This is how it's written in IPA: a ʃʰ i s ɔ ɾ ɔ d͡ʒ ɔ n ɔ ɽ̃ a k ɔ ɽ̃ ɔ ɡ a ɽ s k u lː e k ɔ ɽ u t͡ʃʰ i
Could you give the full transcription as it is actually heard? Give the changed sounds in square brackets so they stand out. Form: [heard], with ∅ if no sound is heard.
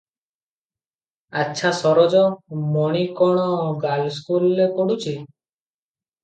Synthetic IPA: a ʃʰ [a] s ɔ ɾ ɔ d͡ʒ ɔ [m] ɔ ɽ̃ [i] k ɔ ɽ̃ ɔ ɡ a [l] s k u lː e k ɔ ɽ u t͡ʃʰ i